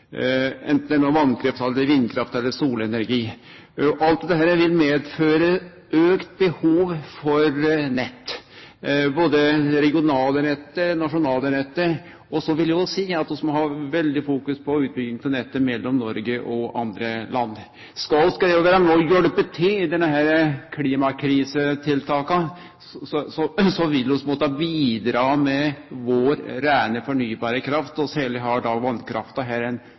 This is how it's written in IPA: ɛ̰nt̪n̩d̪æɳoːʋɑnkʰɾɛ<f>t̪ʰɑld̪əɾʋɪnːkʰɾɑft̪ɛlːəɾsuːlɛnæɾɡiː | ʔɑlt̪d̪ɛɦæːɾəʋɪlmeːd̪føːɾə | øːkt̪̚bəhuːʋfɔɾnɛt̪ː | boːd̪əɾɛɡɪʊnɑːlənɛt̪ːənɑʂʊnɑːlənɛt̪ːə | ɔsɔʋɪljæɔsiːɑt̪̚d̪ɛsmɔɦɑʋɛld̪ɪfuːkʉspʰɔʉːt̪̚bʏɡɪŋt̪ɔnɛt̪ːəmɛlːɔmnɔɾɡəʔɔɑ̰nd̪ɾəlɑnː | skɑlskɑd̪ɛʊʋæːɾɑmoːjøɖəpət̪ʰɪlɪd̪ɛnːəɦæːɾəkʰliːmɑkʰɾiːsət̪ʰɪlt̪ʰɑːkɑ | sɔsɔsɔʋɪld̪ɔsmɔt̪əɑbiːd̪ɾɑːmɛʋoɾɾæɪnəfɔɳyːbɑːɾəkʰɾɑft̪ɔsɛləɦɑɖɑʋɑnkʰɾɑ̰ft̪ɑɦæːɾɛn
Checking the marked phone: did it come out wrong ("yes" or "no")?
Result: no